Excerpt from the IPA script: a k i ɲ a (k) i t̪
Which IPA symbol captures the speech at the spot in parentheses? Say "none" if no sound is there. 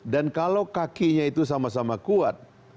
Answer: none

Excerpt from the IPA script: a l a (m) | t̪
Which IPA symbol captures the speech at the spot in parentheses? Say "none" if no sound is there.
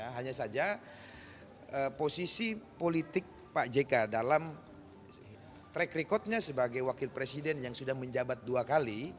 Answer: m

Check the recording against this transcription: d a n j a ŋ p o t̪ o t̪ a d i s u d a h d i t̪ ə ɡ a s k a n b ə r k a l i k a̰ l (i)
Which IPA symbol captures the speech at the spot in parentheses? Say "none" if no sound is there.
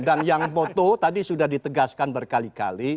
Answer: i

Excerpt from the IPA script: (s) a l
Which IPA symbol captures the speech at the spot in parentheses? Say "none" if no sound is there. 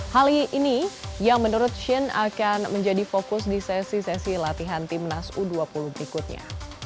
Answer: h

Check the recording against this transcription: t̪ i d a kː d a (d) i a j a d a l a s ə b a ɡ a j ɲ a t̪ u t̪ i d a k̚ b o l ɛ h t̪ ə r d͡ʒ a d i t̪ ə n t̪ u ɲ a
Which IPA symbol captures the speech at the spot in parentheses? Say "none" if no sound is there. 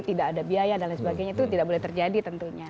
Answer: b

